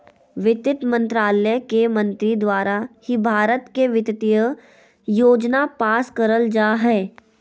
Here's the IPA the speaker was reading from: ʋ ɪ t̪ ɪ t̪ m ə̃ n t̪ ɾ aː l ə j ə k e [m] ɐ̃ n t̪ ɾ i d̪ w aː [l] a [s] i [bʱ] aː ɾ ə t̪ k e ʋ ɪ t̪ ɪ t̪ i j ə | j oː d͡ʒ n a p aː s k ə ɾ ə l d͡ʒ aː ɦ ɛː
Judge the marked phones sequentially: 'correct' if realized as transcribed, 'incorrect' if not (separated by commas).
correct, incorrect, incorrect, correct